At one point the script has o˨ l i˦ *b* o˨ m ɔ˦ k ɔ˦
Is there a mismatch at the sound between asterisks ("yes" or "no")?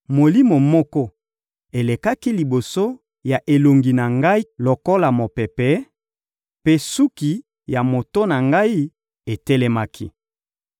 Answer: yes